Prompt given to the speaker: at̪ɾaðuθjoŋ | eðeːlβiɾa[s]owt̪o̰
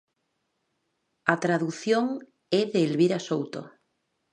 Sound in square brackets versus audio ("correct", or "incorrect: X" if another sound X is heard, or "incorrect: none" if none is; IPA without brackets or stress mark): correct